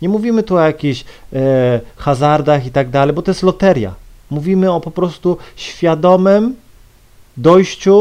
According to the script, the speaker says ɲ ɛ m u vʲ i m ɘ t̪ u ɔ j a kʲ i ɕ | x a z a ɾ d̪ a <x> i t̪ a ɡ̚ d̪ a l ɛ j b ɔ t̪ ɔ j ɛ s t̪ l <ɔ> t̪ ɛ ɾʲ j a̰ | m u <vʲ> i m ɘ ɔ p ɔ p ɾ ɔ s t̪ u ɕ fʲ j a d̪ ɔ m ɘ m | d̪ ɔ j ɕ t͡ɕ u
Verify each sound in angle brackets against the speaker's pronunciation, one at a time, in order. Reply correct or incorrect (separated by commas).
correct, correct, correct